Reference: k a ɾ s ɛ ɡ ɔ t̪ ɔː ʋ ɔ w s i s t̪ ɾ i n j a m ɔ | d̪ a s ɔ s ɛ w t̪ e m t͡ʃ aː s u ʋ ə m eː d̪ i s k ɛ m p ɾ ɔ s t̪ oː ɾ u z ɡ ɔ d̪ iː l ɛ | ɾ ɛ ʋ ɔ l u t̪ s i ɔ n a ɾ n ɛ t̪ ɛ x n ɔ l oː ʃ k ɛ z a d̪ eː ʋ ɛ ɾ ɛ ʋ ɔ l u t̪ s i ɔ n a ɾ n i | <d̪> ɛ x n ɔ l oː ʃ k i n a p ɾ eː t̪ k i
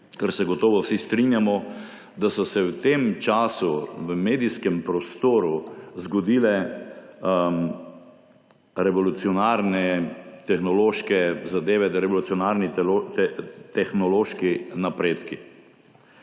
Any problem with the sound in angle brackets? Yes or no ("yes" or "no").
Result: yes